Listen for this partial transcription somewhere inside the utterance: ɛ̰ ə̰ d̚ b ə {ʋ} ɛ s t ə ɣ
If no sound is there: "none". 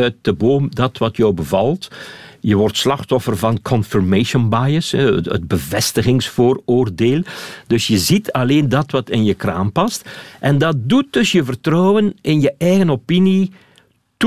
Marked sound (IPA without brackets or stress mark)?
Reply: v